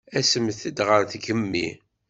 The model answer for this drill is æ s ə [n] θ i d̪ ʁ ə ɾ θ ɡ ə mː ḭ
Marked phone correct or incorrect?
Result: incorrect